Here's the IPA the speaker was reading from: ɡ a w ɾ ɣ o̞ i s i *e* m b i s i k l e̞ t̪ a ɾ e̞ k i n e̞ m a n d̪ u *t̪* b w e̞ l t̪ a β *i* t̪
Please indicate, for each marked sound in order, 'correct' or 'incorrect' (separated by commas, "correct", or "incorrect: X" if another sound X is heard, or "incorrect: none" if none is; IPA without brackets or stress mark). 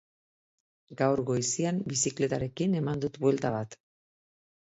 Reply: incorrect: a, correct, incorrect: a